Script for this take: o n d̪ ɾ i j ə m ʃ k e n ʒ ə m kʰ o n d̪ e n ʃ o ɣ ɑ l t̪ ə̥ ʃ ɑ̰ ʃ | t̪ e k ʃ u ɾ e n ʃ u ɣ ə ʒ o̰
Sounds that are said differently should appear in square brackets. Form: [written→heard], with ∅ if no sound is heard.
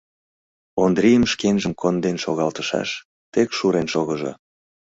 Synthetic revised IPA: o n d̪ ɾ i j ə m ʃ k e n ʒ ə m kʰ o n d̪ e n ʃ o ɣ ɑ l t̪ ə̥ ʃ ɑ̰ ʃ | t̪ e k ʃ u ɾ e n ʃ [u→o] ɣ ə ʒ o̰